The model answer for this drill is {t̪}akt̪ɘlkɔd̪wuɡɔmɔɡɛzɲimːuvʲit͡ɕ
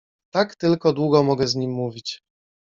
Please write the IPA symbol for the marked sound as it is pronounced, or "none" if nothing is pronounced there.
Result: t̪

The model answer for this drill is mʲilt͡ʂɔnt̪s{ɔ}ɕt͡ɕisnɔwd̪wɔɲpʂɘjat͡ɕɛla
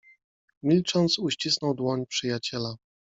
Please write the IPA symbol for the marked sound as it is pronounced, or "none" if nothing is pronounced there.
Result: u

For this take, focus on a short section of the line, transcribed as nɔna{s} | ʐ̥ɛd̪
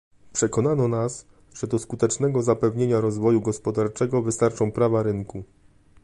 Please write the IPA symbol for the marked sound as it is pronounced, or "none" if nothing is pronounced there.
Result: s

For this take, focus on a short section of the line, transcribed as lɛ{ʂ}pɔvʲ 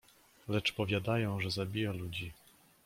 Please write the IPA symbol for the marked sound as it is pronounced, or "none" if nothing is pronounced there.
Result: t͡ʂ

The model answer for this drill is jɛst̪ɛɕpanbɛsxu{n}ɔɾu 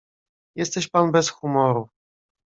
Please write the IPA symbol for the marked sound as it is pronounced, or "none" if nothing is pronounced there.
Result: m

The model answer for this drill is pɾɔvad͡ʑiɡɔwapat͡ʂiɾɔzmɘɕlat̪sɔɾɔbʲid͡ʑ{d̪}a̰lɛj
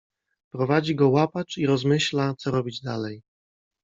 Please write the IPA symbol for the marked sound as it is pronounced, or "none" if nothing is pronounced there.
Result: d̪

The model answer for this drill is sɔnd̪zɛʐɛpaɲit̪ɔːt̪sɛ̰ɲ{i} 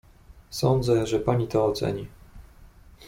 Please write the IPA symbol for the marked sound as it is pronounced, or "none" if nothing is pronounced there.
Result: i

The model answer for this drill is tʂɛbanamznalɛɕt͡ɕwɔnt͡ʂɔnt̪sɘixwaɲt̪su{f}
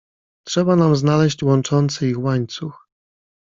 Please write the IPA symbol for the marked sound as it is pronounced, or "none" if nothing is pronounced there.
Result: x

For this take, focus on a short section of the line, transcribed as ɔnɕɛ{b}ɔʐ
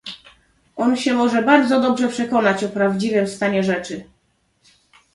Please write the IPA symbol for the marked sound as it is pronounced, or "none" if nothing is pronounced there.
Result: m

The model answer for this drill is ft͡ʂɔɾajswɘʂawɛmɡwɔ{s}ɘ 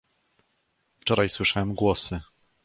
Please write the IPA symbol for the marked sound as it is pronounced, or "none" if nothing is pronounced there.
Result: s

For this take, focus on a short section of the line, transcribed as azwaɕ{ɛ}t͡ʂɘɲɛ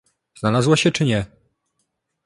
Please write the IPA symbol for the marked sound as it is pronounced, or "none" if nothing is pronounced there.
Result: ɛ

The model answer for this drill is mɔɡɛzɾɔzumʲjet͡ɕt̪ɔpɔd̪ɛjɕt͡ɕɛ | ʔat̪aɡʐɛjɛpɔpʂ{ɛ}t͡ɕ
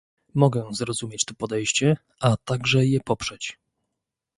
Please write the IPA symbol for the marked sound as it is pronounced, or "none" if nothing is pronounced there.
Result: ɛ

